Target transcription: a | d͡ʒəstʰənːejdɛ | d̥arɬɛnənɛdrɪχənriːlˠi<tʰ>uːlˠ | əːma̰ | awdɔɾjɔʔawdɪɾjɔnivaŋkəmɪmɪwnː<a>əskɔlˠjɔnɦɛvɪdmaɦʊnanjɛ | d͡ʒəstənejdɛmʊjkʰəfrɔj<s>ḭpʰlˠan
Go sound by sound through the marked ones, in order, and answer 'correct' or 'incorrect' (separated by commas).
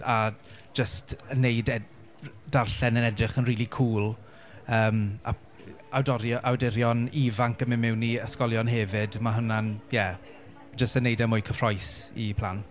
incorrect, incorrect, correct